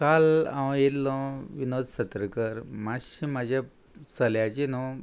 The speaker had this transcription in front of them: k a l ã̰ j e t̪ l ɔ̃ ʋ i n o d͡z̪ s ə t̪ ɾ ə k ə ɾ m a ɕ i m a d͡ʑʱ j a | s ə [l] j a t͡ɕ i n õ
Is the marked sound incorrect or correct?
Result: correct